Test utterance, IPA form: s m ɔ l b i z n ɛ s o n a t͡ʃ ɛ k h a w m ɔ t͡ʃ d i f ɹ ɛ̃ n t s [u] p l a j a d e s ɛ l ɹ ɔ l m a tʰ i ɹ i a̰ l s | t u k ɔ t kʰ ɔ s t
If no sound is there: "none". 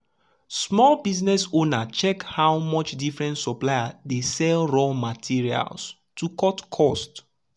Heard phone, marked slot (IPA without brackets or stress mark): ɔ